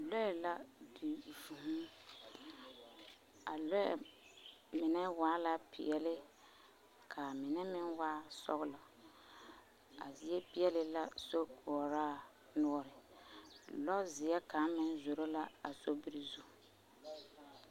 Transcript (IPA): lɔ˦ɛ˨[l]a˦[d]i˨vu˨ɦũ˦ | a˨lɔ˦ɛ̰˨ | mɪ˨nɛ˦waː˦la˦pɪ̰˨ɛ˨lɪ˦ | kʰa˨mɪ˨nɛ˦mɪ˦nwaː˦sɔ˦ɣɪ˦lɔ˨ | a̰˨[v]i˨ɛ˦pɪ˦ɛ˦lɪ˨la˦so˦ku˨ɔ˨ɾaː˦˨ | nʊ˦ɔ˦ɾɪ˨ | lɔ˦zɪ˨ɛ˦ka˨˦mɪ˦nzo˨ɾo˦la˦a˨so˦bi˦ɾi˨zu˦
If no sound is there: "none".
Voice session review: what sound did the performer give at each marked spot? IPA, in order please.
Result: l, d, z

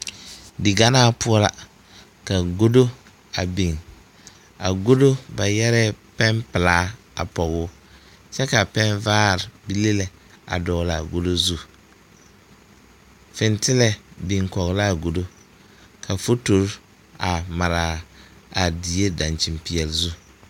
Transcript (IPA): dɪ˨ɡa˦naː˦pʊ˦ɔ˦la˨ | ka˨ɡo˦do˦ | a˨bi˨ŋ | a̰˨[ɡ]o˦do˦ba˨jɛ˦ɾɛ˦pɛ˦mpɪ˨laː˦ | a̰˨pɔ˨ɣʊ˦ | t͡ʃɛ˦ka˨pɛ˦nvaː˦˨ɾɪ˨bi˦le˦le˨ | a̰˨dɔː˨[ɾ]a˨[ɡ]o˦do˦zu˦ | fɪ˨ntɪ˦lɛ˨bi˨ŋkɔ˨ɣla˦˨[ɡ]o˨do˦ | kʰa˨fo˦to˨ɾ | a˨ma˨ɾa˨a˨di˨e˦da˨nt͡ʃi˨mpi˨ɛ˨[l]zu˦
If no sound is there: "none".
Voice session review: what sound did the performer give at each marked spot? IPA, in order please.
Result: ɡ, l, ɡ, ɡ, l

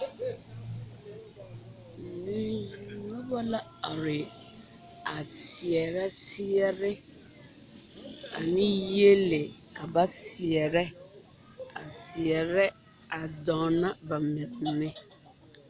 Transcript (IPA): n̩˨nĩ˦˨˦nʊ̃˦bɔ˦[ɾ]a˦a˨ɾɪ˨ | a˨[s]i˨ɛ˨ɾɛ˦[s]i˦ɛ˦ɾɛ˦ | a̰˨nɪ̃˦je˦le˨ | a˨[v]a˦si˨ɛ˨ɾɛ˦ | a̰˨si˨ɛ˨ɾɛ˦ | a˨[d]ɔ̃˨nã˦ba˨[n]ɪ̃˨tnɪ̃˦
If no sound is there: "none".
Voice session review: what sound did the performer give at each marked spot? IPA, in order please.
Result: l, s, s, b, d, m

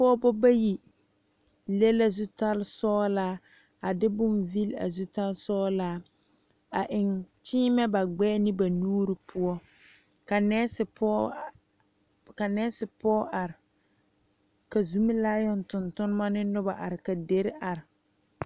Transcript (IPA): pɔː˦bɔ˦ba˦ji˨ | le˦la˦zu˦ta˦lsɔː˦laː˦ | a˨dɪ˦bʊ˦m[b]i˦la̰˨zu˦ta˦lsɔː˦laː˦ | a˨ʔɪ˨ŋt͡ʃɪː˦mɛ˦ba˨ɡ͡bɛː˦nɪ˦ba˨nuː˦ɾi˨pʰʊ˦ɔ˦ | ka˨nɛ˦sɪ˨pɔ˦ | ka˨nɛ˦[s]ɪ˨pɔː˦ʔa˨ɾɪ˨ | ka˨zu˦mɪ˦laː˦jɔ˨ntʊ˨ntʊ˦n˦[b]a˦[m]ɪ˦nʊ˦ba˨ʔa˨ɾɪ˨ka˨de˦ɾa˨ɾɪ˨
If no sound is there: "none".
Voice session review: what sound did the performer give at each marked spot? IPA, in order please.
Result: v, s, m, n

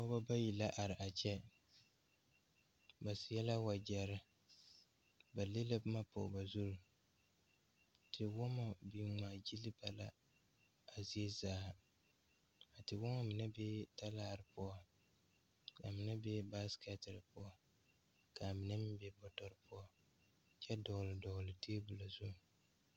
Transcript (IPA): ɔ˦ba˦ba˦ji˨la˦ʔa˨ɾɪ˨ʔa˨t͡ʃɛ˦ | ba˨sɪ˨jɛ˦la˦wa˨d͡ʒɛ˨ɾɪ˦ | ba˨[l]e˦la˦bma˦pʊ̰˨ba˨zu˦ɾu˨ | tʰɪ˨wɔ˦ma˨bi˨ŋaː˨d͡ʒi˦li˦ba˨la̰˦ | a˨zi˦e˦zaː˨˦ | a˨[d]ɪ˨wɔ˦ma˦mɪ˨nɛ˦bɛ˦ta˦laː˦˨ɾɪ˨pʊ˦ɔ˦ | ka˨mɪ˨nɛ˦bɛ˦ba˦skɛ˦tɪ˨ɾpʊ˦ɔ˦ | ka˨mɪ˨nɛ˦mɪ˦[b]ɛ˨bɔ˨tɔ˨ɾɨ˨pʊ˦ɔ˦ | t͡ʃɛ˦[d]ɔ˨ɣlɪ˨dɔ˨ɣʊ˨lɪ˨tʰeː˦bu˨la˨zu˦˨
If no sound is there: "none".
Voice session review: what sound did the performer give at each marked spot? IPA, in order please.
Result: l, t, b, d

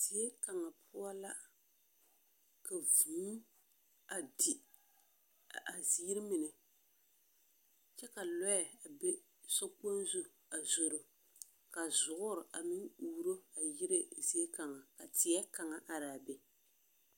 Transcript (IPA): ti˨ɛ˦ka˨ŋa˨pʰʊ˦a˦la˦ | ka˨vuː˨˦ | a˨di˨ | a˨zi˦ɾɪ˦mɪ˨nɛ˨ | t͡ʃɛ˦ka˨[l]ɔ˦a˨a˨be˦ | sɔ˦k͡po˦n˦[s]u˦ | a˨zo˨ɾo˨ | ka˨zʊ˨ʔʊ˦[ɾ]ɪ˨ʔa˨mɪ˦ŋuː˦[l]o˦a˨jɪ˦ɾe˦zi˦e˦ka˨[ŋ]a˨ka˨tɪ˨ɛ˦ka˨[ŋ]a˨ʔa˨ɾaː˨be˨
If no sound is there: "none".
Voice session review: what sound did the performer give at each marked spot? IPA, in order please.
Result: l, z, ɾ, ɾ, ŋ, ŋ

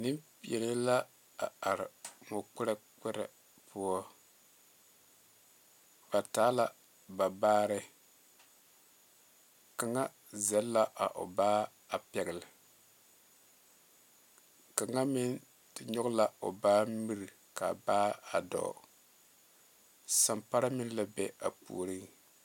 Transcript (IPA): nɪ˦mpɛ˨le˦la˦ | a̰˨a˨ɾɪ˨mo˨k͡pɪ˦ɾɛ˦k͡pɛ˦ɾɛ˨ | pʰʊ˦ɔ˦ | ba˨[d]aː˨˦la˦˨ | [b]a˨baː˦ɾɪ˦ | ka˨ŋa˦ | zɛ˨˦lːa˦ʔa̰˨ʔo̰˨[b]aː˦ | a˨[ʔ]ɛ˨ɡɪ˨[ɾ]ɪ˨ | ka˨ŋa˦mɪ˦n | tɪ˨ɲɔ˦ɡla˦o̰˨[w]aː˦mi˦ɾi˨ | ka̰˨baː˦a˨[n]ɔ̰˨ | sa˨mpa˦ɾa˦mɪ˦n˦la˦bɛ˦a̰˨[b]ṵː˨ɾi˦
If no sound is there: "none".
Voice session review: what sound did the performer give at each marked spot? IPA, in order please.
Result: t, b, b, p, l, b, d, p

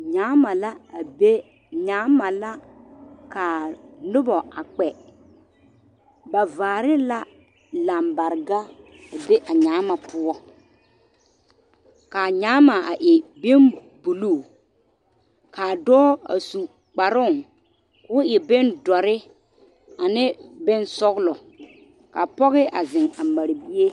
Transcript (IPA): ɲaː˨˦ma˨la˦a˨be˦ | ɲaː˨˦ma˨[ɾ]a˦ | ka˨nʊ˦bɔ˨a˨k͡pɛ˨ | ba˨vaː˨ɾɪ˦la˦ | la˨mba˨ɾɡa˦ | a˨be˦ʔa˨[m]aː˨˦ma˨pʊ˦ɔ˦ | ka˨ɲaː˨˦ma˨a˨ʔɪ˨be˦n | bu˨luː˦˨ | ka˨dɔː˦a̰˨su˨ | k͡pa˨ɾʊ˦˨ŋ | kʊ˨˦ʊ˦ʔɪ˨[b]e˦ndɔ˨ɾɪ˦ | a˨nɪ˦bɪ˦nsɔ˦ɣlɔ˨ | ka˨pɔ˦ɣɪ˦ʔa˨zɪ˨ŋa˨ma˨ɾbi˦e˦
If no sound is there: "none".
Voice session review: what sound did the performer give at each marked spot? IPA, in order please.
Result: l, ɲ, b

